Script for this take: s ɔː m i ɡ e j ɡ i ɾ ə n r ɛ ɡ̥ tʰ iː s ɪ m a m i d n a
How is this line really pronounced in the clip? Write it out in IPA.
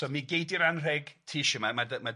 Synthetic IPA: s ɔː m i ɡ e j d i ɾ a n r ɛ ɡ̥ tʰ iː ʃ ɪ m a m a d m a